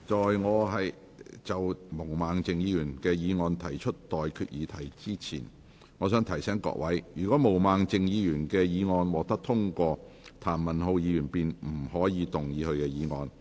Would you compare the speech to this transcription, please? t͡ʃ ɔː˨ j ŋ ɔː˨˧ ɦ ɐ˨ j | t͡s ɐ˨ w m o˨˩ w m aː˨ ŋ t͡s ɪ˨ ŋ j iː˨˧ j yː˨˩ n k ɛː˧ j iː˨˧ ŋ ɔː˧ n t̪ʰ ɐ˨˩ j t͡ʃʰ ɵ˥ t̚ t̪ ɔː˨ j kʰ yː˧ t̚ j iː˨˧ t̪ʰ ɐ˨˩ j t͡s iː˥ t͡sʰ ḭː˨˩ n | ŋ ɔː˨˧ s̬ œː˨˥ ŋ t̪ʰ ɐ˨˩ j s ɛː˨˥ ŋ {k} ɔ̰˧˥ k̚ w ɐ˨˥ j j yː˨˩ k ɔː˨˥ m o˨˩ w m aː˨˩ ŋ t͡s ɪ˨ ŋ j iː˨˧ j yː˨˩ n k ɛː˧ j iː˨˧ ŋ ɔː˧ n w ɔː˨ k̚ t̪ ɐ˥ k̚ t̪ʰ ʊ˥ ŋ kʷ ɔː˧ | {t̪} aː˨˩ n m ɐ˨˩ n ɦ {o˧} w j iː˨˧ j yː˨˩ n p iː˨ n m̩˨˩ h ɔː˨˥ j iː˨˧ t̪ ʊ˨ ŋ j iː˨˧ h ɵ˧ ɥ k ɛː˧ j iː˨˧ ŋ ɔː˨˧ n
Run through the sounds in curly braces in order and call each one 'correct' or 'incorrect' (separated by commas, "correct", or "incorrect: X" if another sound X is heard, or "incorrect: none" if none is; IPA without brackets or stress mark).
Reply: correct, incorrect: t̪ʰ, correct